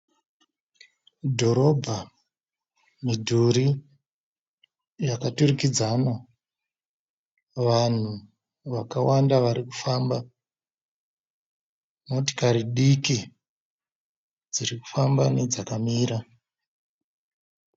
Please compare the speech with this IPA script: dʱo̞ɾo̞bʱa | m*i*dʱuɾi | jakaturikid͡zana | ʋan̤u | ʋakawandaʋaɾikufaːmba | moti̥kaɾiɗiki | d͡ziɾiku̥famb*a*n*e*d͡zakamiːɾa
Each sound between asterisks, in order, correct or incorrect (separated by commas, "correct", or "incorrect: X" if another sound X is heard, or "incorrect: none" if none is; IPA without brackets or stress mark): correct, correct, correct